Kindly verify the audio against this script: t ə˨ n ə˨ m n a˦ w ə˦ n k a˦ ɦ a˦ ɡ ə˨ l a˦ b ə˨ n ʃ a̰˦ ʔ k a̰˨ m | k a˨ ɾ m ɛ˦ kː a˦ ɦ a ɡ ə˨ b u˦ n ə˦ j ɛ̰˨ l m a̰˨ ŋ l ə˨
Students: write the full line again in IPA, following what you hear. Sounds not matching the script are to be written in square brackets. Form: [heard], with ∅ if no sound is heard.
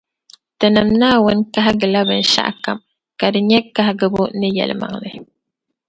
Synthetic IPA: t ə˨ n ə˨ m n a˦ w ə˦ n k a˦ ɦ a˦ ɡ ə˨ l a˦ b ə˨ n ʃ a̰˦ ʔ k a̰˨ m | k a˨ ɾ [ɲ] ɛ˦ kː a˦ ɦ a ɡ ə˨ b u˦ n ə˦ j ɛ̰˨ l m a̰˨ ŋ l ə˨